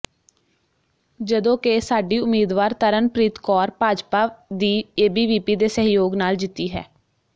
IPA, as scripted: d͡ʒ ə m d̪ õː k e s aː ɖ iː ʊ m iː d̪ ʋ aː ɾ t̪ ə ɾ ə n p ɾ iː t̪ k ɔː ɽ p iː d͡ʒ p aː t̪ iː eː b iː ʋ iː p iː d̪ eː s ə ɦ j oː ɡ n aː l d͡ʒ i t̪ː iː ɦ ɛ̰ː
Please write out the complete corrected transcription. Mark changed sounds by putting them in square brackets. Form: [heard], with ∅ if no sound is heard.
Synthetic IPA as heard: d͡ʒ ə [∅] d̪ õː k e s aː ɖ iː ʊ m iː d̪ ʋ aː ɾ t̪ ə ɾ ə n p ɾ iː t̪ k ɔː [ɾ] p [aː] d͡ʒ p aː [d̪] iː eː b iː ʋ iː p iː d̪ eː s ə ɦ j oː ɡ n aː l d͡ʒ [ɪ] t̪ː iː ɦ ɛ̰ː